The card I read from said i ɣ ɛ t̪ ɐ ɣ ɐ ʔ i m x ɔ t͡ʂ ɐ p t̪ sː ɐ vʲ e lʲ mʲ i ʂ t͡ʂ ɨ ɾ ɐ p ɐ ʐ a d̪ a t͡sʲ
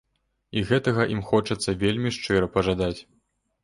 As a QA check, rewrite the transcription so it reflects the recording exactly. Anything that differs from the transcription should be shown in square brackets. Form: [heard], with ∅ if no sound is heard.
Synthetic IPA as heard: i ɣ ɛ t̪ ɐ ɣ ɐ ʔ i m x ɔ t͡ʂ ɐ [∅] t̪ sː ɐ vʲ e lʲ mʲ i ʂ t͡ʂ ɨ ɾ ɐ p ɐ ʐ a d̪ a t͡sʲ